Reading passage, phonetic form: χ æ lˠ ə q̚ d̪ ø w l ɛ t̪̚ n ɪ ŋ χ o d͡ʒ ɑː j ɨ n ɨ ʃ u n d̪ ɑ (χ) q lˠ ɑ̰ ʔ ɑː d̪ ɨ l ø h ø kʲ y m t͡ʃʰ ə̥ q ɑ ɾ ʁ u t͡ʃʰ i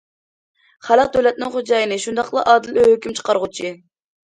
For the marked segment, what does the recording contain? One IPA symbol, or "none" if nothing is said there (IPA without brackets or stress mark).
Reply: none